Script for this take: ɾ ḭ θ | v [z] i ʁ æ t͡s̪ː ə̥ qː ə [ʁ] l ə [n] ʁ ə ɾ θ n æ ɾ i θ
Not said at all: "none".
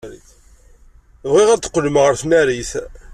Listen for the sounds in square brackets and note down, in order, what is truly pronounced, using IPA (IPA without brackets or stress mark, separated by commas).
ʁ, none, m